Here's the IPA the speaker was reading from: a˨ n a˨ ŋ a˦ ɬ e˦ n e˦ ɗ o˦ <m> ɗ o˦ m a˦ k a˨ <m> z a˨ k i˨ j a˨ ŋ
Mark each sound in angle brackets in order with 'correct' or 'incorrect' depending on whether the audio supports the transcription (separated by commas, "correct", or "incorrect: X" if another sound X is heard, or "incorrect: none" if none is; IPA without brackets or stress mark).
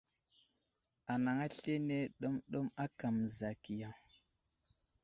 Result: correct, correct